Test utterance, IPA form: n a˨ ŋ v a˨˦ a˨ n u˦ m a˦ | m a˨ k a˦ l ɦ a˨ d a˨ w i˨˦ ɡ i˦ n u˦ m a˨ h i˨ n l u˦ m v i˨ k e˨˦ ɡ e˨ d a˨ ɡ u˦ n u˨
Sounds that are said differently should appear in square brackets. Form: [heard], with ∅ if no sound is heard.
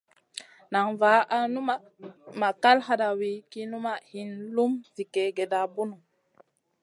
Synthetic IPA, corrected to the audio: n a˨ ŋ v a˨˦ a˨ n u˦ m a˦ | m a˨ k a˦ l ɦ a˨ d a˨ w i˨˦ [k] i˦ n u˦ m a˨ h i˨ n l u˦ m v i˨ k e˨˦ ɡ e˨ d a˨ [b] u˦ n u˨